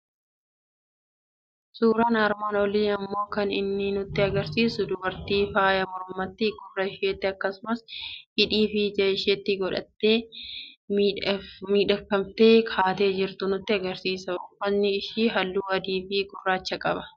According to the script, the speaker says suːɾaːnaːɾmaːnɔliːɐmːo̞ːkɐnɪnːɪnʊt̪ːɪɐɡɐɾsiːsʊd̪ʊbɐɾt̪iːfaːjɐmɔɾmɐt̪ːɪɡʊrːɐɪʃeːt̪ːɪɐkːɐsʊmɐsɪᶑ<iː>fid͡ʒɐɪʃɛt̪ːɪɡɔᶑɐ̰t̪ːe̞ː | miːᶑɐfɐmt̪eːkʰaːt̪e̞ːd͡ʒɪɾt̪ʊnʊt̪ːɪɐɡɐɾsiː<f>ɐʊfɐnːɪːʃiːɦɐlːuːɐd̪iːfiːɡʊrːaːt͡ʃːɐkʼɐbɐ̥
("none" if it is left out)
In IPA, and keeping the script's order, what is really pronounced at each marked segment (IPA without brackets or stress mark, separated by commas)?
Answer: iː, s